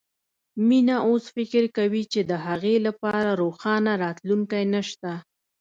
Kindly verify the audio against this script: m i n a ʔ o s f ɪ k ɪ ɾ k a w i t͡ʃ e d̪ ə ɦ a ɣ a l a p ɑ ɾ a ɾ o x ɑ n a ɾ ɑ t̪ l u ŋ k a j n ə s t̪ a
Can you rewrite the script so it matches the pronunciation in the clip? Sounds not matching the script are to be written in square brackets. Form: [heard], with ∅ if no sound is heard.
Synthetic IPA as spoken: m i n a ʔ o s f ɪ k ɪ ɾ k a w i t͡ʃ e d̪ ə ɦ a ɣ [e] l a p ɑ ɾ a ɾ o x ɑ n a ɾ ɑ t̪ l u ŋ k a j n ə [ʃ] t̪ a